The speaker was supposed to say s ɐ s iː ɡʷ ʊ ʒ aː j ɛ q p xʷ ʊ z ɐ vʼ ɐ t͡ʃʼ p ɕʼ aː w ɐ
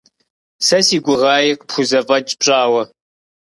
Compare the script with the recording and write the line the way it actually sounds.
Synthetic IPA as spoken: s ɐ s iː ɡʷ ʊ ʁ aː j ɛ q p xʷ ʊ z ɐ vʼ ɐ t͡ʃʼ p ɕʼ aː w ɐ

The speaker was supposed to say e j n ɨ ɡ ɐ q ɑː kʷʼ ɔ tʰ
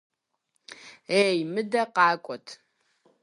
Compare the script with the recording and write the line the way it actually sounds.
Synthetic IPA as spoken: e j m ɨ d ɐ q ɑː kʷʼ ɔ tʰ

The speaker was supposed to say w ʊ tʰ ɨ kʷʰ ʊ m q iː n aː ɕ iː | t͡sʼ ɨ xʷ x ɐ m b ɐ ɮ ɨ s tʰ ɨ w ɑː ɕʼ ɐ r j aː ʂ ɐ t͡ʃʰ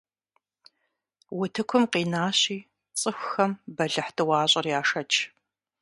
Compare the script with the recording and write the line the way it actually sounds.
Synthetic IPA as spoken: w ʊ tʰ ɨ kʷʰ ʊ m q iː n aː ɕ iː | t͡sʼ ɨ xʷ x ɐ m b ɐ ɮ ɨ ħ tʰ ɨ w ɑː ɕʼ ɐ r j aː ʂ ɐ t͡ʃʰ

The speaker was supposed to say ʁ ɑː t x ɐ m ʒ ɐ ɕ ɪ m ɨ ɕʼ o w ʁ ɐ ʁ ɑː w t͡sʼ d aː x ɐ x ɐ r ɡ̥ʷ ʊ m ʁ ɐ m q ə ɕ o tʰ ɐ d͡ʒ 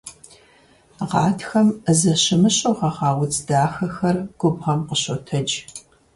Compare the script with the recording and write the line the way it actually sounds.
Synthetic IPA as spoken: ʁ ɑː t x ɐ m z ɐ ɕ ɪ m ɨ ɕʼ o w ʁ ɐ ʁ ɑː w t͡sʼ d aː x ɐ x ɐ r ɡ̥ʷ ʊ b ʁ ɐ m q ə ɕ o tʰ ɐ d͡ʒ

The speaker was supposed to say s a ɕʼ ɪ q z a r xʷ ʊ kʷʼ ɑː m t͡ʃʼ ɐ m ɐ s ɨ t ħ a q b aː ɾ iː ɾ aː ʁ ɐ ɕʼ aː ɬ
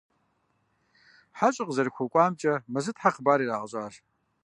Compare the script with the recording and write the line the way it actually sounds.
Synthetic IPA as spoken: ħ a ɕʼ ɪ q z ɐ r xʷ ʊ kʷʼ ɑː m t͡ʃʼ ɐ m ɐ z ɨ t ħ a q b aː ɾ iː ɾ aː ʁ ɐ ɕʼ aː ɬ

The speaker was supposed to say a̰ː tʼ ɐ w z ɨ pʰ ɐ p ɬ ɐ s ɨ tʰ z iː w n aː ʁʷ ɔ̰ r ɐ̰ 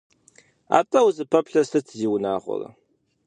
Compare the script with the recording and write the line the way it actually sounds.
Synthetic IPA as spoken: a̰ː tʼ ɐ w z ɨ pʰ ɐ p ɬ ɐ s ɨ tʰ z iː w n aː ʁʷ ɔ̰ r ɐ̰

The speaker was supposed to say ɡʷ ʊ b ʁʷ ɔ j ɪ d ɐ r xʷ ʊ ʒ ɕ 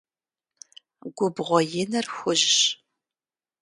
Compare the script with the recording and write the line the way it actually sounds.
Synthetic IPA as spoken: ɡʷ ʊ b ʁʷ ɔ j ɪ n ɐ r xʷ ʊ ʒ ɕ

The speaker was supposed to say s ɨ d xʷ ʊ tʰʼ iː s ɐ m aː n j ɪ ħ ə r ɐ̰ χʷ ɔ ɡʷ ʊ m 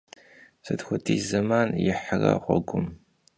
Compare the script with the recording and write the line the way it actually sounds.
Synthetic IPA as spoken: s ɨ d xʷ ʊ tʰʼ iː z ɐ m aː n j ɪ ħ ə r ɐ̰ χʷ ɔ ɡʷ ʊ m

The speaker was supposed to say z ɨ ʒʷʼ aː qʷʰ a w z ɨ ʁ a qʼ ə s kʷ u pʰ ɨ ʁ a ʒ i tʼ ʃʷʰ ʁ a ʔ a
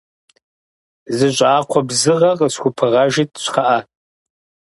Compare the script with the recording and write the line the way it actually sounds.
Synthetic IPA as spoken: z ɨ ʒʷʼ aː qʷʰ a b z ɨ ʁ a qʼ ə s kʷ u pʰ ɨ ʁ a ʒ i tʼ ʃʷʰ χ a ʔ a

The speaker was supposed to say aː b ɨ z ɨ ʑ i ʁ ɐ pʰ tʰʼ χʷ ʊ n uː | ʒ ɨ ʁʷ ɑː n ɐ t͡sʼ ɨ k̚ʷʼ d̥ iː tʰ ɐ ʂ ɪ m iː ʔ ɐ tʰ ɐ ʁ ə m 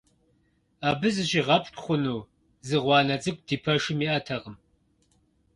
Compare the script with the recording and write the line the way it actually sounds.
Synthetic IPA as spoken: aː b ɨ z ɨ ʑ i ʁ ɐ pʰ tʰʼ χʷ ʊ n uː | z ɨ ʁʷ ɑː n ɐ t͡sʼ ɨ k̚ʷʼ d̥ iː pʰ ɐ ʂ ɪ m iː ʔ ɐ tʰ ɐ ʁ ə m

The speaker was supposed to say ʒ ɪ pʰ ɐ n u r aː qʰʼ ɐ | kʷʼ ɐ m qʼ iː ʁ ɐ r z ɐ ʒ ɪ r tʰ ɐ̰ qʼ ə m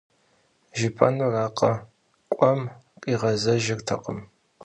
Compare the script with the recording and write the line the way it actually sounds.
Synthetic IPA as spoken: ʒ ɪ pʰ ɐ n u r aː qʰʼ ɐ | kʷʼ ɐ m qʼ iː ʁ ɐ z ɐ ʒ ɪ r tʰ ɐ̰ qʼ ə m

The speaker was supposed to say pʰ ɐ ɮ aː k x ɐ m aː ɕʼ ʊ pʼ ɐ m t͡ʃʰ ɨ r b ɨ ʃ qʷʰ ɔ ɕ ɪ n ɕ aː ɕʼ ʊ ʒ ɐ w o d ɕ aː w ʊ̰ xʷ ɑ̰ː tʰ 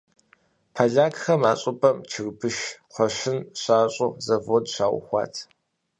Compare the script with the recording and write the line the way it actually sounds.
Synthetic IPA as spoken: pʰ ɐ ɮ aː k x ɐ m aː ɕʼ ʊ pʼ ɐ m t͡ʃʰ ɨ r b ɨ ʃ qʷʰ ɔ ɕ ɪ n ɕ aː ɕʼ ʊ z ɐ v o d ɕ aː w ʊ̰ xʷ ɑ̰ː tʰ

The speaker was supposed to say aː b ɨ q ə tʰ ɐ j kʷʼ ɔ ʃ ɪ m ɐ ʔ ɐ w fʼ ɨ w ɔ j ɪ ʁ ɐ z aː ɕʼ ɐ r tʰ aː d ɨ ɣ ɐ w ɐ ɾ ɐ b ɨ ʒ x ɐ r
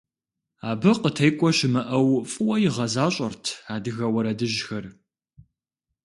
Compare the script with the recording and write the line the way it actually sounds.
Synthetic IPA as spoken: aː b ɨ q ə tʰ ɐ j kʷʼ ɔ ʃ ɪ m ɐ ʔ ɐ w fʼ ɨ w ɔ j ɪ ʁ ɐ z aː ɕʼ ɐ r tʰ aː d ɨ ɣ ɐ w ɐ ɾ ɐ d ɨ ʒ x ɐ r

